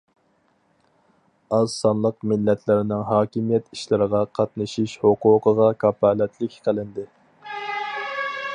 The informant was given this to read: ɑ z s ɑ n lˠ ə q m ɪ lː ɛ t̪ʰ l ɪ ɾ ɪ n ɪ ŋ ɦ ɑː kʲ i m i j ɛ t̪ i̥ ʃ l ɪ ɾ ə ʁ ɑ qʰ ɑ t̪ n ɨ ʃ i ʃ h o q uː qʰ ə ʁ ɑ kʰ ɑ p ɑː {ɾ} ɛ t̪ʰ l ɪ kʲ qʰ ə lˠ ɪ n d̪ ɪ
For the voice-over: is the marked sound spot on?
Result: no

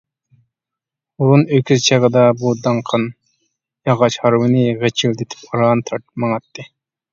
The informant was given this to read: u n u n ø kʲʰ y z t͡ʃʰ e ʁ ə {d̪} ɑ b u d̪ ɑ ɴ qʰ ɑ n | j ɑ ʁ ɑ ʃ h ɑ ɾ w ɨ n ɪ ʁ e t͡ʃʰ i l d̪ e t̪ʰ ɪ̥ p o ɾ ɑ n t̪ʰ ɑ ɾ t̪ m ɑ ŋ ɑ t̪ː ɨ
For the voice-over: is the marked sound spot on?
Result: yes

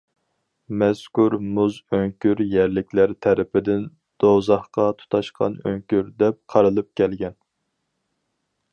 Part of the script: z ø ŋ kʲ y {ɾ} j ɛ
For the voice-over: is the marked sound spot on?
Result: yes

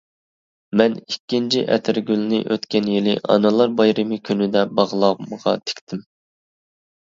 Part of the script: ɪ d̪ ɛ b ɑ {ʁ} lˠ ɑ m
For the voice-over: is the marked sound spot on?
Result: yes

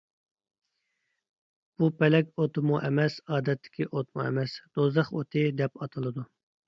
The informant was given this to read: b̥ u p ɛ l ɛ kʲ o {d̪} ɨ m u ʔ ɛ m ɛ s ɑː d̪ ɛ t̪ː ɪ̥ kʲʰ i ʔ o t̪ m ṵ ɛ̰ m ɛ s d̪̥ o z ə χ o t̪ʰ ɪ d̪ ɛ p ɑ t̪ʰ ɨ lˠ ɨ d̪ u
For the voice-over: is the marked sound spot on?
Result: no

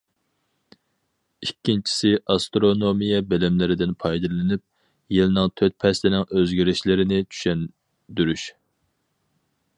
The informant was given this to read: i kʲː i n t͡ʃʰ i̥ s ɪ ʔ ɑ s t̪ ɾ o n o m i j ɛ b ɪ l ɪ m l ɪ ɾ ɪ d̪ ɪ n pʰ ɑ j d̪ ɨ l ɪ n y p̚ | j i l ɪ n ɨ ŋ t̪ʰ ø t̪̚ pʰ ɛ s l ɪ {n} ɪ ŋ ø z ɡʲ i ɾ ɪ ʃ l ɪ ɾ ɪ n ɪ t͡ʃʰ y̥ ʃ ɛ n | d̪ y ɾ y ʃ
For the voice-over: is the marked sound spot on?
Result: yes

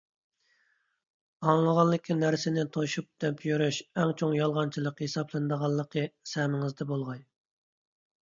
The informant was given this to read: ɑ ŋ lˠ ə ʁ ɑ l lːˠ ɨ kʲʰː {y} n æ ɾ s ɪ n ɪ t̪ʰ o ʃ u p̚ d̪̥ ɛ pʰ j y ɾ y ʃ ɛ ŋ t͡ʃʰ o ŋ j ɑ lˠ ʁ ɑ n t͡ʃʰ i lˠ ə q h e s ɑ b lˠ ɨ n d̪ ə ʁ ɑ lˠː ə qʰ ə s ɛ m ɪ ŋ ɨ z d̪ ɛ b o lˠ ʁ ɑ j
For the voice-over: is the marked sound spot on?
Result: no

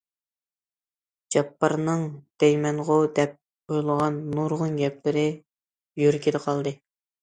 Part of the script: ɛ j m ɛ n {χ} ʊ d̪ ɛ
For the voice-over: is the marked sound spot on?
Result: no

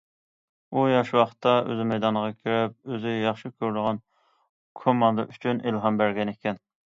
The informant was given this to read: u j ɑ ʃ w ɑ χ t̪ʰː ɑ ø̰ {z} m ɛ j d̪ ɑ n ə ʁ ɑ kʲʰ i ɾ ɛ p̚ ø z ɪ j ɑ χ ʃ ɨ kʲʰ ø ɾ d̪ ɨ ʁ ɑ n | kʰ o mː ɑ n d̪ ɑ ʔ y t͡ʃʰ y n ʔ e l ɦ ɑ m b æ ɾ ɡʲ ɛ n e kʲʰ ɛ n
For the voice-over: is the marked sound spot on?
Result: yes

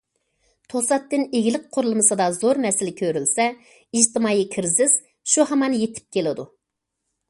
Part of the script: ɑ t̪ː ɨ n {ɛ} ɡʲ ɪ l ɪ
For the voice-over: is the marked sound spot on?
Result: no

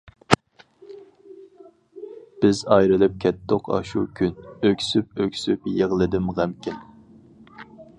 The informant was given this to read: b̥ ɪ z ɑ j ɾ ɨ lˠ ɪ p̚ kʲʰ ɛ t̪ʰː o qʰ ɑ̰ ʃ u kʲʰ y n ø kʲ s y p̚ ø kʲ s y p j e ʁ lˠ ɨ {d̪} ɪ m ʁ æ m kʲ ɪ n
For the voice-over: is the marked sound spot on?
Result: yes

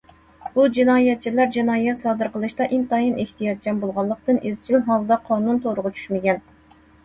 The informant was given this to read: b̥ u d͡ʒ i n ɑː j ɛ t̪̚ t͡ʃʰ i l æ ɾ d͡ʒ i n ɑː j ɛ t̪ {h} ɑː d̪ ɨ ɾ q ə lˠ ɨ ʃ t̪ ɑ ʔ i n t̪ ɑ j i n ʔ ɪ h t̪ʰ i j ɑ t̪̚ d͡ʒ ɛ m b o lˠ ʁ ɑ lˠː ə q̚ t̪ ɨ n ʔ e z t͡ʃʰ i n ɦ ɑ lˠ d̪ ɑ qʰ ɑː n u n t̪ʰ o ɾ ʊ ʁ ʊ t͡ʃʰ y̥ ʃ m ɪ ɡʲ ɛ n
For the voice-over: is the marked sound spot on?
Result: no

